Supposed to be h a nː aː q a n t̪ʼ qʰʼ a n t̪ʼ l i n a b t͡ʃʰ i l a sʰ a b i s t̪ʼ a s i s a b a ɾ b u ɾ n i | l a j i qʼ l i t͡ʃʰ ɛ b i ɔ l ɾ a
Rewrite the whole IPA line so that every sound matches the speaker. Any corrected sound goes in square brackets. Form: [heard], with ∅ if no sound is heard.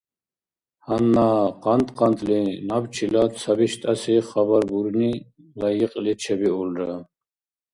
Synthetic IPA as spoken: h a nː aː q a n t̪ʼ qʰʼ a n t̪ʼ l i n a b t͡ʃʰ i l a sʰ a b i [ʃ] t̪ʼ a s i [χ] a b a ɾ b u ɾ n i | l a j i qʼ l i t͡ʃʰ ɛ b i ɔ l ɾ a

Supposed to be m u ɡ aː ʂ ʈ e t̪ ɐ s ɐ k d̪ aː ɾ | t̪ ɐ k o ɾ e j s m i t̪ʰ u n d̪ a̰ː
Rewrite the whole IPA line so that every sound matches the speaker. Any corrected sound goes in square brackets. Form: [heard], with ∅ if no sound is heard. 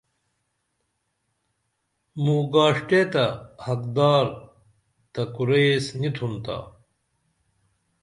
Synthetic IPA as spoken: m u ɡ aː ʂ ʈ e t̪ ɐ [h] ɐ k d̪ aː ɾ | t̪ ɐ k [u] ɾ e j s [n] i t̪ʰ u n [t̪] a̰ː

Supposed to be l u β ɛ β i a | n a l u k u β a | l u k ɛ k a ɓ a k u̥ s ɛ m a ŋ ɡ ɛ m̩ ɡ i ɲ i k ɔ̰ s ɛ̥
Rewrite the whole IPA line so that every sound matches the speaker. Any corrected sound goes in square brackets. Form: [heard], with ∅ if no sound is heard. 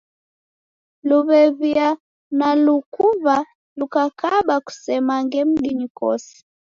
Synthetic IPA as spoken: l u β ɛ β i a | n a l u k u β a | l u k [a] k a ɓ a k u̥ s ɛ m a ŋ ɡ ɛ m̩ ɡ i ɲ i k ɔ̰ s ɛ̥

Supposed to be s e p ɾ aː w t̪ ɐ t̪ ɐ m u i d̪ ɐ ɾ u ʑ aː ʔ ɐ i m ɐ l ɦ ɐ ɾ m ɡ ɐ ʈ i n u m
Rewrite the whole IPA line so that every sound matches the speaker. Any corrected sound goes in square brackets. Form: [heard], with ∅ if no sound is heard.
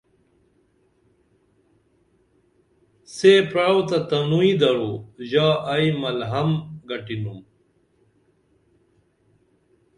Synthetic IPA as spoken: s e p ɾ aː w t̪ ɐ t̪ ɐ [n] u i d̪ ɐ ɾ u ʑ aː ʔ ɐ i m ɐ l ɦ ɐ [∅] m ɡ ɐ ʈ i n u m

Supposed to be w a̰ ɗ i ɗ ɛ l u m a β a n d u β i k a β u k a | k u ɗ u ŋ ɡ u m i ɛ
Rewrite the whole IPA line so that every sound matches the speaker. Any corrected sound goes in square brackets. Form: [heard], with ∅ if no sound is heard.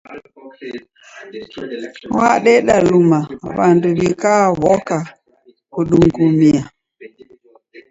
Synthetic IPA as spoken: w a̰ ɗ [ɛ] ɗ [a] l u m a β a n d u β i k a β [ɔ] k a | k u ɗ u ŋ ɡ u m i [a]

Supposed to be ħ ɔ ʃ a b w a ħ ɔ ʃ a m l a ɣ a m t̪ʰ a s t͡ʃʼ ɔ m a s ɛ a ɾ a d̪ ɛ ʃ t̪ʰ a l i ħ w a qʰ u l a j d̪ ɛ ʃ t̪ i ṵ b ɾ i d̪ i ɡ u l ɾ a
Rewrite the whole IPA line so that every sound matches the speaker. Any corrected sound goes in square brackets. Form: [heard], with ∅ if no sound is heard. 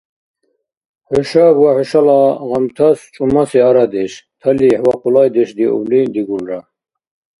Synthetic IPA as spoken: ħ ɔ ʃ a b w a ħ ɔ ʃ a [∅] l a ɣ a m t̪ʰ a s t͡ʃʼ [u] m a s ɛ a ɾ a d̪ ɛ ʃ t̪ʰ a l i ħ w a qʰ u l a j d̪ ɛ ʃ [d̪] i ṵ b [l] i d̪ i ɡ u l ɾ a

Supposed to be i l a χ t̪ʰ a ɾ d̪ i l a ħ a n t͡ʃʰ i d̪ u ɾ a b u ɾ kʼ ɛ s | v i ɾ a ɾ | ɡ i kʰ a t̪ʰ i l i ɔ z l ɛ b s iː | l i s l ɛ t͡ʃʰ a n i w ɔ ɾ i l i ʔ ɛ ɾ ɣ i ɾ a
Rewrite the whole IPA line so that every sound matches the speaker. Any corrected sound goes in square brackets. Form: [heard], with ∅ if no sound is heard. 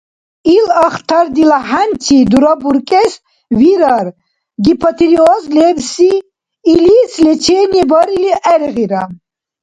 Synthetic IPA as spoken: i l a χ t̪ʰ a ɾ d̪ i l a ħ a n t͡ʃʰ i d̪ u ɾ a b u ɾ kʼ ɛ s | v i ɾ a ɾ | ɡ i [pʰ] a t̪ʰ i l i ɔ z l ɛ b s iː | l i s l ɛ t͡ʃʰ [ɛ] n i [b] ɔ ɾ i l i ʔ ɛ ɾ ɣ i ɾ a

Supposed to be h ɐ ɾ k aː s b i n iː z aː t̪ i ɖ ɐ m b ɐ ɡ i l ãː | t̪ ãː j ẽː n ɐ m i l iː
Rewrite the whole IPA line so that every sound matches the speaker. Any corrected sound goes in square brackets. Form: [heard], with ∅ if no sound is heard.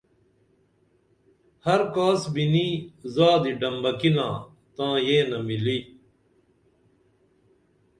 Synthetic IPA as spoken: h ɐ ɾ k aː s b i n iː z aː [d̪] i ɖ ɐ m b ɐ [k] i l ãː | t̪ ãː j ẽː n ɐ m i l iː

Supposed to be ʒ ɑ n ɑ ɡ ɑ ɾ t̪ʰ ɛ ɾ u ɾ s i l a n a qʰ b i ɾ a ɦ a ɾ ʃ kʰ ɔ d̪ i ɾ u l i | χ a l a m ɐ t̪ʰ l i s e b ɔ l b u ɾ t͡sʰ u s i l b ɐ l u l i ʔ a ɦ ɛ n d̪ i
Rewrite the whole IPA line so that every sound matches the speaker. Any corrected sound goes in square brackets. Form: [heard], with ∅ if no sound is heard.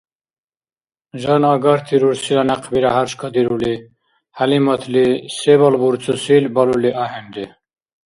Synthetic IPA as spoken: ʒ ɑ n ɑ ɡ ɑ ɾ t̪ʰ [i] ɾ u ɾ s i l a n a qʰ b i ɾ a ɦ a ɾ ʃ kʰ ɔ d̪ i ɾ u l i | [h] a l [i] m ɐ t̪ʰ l i s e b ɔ l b u ɾ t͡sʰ u s i l b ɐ l u l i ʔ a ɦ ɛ n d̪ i

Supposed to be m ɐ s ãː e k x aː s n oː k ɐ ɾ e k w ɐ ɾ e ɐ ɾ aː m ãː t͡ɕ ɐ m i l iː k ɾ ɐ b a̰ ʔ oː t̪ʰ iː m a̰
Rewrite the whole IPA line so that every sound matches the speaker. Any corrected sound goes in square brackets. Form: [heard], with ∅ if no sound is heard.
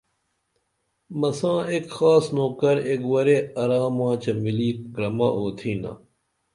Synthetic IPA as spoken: m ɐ s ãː e k x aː s n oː k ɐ ɾ e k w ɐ ɾ e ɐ ɾ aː m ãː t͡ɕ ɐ m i l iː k ɾ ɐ [m] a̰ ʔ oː t̪ʰ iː [n] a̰

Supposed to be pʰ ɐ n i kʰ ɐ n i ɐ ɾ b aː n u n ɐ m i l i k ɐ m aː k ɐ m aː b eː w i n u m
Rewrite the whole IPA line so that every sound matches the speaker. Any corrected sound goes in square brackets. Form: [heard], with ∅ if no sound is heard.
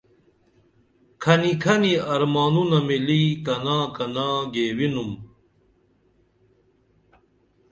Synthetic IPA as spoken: [kʰ] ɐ n i kʰ ɐ n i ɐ ɾ [m] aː n u n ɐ m i l i k ɐ [n] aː k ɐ [n] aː [ɡ] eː w i n u m

